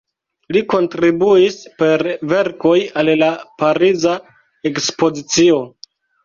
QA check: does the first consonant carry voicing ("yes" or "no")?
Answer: yes